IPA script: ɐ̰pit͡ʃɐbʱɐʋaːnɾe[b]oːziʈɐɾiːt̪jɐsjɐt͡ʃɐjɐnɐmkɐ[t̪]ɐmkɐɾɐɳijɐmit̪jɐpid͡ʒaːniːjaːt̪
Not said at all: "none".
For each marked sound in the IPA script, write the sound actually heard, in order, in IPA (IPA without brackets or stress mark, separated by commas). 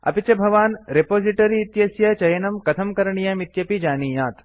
p, t̪ʰ